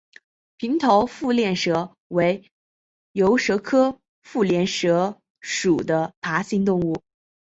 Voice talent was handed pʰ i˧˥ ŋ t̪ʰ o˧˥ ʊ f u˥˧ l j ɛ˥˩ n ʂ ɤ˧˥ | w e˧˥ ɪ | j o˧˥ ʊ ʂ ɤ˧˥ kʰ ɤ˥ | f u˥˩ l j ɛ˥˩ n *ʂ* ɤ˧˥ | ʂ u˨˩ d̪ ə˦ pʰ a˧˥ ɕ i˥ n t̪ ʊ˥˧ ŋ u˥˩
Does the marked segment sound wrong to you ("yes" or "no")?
no